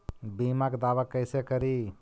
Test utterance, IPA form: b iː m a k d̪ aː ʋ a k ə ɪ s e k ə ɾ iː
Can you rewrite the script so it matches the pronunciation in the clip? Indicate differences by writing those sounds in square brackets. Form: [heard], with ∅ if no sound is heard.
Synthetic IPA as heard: b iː m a k d̪ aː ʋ a k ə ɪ s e k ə ɾ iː